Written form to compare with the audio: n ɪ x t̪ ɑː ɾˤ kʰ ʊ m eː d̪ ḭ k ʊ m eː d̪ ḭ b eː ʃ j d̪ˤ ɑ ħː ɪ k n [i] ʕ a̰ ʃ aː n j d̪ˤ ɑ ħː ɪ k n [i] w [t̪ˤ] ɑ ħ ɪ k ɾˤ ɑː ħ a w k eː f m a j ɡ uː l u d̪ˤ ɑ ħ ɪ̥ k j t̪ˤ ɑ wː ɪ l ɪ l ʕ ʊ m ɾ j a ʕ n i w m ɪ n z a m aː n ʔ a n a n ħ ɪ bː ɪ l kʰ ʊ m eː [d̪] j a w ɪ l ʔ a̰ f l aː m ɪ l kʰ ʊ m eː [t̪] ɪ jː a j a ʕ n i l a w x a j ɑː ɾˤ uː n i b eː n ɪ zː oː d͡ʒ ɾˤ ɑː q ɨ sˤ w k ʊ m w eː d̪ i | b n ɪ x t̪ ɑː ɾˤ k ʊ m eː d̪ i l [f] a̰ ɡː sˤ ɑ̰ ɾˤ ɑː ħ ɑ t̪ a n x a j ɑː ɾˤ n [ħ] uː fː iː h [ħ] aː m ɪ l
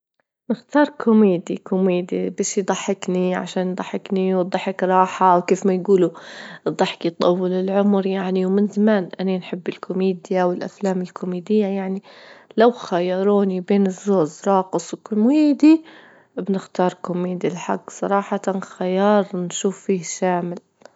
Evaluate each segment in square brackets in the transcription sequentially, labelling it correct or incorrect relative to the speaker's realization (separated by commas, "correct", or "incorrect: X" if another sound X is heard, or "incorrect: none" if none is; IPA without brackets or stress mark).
correct, correct, incorrect: d̪ˤ, correct, incorrect: d̪, incorrect: ħ, incorrect: ʃ, incorrect: ʃ